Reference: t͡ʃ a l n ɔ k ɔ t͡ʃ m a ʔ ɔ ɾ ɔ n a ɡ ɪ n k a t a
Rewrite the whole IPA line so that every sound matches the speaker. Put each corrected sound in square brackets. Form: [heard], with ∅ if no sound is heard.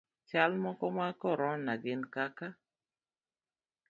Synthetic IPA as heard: t͡ʃ a l [m] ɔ k ɔ [∅] m a [k] ɔ ɾ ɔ n a ɡ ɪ n k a [k] a